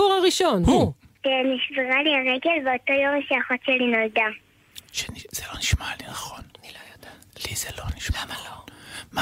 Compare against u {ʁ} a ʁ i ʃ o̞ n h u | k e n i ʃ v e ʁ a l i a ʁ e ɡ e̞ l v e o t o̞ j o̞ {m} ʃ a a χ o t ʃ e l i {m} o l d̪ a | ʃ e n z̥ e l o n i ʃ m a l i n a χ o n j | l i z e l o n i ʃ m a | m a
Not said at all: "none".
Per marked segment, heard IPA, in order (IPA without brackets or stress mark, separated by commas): ʁ, m, n